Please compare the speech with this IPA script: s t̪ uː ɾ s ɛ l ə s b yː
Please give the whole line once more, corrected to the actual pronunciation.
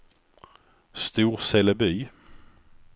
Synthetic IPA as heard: s t̪ uː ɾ s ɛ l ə b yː